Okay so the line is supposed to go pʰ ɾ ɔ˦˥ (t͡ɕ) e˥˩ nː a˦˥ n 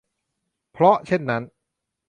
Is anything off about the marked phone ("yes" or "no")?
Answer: yes